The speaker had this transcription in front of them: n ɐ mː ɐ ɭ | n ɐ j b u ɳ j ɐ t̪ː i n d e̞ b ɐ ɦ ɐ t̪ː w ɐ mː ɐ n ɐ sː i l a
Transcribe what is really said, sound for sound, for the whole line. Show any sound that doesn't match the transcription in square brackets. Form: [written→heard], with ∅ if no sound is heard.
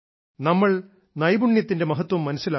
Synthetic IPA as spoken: n ɐ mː ɐ ɭ | n ɐ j b u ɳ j ɐ t̪ː i n d e̞ [b→m] ɐ ɦ ɐ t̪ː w ɐ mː ɐ n ɐ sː i l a